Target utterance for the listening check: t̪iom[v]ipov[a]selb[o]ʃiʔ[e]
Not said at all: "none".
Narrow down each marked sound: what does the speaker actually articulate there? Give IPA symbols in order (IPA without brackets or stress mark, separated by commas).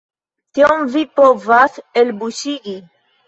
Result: v, a, u, i